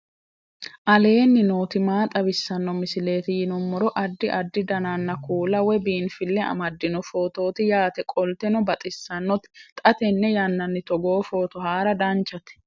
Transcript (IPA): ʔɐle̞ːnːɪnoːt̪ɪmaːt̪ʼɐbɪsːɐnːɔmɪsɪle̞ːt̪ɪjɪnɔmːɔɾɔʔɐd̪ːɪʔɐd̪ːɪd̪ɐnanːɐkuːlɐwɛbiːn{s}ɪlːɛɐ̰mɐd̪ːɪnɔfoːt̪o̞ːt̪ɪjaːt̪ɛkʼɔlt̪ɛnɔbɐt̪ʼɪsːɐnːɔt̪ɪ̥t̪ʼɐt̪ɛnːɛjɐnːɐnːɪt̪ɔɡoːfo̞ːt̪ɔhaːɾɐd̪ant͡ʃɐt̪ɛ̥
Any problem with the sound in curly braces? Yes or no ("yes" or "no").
yes